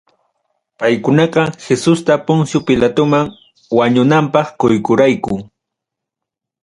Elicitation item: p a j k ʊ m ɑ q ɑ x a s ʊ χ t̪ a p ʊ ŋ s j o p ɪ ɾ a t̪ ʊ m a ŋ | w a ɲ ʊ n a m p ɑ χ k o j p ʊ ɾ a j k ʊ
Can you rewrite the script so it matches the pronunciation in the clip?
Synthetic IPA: p a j k ʊ n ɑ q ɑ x e s ʊ s t̪ a p ʊ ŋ s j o p ɪ l a t̪ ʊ m a ŋ | w a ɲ ʊ n a m p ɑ χ k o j k ʊ ɾ a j k ʊ